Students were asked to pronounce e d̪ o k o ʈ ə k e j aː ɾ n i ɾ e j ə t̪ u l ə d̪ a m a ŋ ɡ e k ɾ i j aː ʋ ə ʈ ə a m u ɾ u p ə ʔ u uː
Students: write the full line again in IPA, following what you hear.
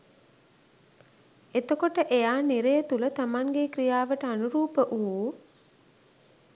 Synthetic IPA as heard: e t̪ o k o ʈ ə ʔ e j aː n i ɾ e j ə t̪ u l ə t̪ a m a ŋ ɡ e k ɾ i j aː ʋ ə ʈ ə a n u ɾ uː p ə ʔ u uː